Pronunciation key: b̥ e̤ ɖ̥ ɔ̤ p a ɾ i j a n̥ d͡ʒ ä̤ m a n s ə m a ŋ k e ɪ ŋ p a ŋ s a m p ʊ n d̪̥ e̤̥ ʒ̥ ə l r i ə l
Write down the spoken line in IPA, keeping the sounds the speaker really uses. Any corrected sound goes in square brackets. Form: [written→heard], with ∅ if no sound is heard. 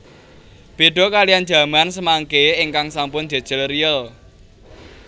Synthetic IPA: b̥ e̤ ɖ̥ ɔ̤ [p→k] a [ɾ→l] i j a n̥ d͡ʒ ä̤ m a n s ə m a ŋ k e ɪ ŋ [p→k] a ŋ s a m p ʊ n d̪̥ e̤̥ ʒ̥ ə l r i ə l